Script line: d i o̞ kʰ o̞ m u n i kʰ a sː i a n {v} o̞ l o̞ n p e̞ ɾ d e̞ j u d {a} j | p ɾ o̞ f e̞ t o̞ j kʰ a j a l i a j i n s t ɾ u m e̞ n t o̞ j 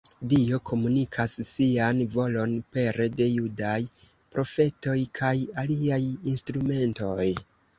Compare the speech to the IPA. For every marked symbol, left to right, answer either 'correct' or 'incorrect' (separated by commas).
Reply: correct, correct